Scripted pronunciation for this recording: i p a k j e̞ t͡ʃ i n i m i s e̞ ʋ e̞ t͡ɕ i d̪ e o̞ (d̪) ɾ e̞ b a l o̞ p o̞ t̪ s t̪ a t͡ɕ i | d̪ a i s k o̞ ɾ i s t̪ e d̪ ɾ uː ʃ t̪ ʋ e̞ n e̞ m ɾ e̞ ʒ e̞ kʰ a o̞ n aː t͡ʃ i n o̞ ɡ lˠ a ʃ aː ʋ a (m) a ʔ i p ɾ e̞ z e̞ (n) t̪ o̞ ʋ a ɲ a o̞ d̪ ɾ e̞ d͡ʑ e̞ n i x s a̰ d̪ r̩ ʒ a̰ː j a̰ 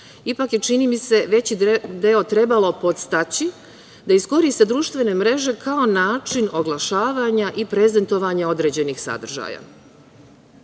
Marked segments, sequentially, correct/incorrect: incorrect, incorrect, correct

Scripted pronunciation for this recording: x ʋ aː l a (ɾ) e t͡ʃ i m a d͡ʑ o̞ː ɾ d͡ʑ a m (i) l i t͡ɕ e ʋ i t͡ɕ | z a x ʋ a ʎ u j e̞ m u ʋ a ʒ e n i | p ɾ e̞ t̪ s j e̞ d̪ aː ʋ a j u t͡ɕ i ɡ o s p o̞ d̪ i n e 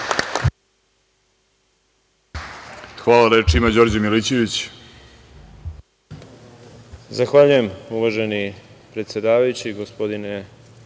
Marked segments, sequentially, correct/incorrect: correct, correct

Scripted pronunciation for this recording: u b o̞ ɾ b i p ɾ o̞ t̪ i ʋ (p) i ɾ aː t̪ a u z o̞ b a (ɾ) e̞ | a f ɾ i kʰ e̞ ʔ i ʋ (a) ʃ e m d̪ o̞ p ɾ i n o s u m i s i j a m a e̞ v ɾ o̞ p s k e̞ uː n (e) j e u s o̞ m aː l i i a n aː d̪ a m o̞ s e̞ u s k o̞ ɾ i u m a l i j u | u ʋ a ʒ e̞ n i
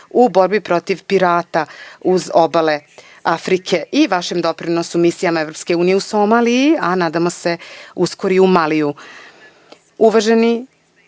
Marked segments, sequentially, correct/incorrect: correct, incorrect, correct, incorrect

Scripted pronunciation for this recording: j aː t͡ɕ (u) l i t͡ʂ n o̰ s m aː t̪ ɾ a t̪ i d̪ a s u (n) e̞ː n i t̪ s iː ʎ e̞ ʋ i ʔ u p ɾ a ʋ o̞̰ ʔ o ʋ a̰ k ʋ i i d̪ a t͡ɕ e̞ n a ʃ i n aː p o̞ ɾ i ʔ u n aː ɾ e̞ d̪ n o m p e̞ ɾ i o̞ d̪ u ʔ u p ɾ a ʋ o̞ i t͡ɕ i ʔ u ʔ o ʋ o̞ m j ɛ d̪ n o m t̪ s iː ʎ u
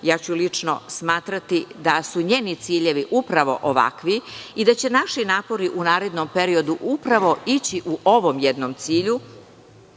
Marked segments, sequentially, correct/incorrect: correct, incorrect

